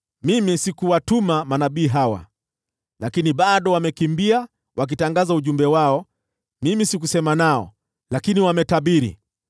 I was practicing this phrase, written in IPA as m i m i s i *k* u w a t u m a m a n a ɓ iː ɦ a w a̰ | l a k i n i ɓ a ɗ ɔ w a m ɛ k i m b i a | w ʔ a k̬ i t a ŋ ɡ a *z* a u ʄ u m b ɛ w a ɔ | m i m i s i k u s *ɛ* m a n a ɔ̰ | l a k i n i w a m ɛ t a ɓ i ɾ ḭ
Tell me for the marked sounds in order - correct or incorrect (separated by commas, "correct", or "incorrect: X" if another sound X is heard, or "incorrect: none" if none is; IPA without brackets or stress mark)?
correct, correct, correct